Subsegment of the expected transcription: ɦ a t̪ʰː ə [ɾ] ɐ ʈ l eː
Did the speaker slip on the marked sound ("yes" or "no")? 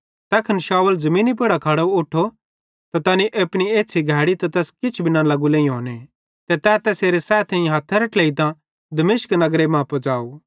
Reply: no